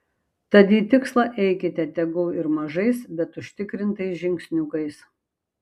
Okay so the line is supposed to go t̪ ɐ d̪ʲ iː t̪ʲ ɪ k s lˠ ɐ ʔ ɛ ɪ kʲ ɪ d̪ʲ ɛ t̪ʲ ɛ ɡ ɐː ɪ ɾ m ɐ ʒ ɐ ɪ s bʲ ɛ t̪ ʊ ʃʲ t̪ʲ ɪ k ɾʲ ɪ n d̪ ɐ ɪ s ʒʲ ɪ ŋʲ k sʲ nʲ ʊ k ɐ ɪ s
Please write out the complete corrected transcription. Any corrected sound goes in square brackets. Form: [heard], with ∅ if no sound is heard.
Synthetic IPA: t̪ ɐ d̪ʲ iː t̪ʲ ɪ k s lˠ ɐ ʔ ɛ ɪ kʲ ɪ [t̪ʲ] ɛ t̪ʲ ɛ ɡ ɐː ɪ ɾ m ɐ ʒ ɐ ɪ s bʲ ɛ t̪ ʊ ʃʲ t̪ʲ ɪ k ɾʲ ɪ n [t̪] ɐ ɪ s ʒʲ ɪ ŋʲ k sʲ nʲ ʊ k ɐ ɪ s